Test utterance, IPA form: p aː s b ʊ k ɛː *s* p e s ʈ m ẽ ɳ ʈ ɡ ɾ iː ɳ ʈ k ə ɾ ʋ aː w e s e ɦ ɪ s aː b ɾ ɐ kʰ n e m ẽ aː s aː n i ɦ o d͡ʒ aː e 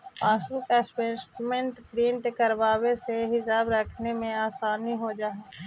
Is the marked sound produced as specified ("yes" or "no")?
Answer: yes